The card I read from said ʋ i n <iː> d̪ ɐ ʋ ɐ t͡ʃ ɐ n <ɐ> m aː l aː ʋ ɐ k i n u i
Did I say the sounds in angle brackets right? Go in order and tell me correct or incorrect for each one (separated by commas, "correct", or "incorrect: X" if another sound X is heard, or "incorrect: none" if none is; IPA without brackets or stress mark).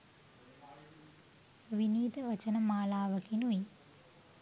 correct, correct